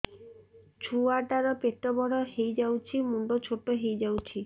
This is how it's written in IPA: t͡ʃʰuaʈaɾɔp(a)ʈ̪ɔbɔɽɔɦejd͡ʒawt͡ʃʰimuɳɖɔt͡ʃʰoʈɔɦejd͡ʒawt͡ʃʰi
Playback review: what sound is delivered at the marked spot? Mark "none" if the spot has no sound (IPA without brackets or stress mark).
e